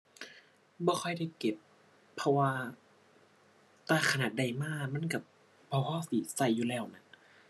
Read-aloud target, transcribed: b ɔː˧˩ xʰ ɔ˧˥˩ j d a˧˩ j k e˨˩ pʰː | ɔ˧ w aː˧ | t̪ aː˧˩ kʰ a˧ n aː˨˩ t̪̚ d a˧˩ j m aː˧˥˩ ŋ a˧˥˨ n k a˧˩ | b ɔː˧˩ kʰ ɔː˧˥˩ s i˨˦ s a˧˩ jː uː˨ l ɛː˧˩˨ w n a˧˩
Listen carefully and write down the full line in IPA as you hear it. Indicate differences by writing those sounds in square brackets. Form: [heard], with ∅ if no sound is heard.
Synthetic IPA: b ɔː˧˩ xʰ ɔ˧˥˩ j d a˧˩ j k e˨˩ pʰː | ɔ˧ w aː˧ | t̪ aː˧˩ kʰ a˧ n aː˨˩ t̪̚ d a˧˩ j m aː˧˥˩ [m] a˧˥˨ n k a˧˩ | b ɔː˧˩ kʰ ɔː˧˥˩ s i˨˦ s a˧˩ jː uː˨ l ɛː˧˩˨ w n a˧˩